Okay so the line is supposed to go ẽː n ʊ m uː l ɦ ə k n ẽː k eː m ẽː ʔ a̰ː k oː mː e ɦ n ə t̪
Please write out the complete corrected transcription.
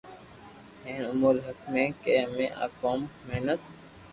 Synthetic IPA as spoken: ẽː n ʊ m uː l ɦ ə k m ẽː k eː m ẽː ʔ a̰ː k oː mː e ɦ n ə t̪